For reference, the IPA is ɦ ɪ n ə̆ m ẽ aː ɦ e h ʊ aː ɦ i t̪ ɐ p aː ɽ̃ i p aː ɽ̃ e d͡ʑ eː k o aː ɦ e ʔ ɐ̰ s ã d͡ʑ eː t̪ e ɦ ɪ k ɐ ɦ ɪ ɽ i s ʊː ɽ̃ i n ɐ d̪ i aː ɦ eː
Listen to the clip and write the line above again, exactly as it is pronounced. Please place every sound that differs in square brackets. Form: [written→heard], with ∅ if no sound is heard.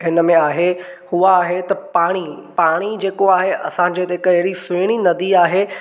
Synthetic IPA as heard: ɦ ɪ n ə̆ m ẽ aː ɦ e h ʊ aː ɦ [i→e] t̪ ɐ p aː ɽ̃ i p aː ɽ̃ [e→i] d͡ʑ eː k o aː ɦ e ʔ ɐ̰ s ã d͡ʑ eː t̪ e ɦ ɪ k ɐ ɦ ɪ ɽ i s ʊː ɽ̃ i n ɐ d̪ i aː ɦ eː